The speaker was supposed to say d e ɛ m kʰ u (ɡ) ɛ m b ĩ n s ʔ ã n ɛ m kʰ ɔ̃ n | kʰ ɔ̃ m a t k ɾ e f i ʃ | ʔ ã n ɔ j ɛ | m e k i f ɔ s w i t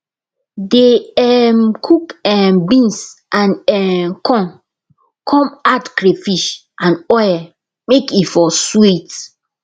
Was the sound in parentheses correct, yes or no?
no